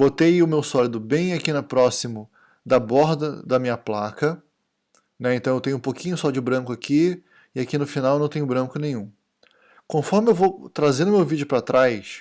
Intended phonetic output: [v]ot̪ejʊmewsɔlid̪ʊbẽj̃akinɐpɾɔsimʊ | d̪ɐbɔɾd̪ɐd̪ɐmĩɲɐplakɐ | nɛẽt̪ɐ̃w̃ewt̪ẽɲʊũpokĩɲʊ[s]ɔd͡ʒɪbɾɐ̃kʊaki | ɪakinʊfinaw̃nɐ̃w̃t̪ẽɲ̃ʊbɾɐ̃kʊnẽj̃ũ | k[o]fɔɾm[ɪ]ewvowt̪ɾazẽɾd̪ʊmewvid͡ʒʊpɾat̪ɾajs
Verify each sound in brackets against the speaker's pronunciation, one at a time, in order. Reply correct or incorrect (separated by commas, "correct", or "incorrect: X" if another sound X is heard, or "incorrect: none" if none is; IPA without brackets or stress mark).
incorrect: b, correct, incorrect: õ, correct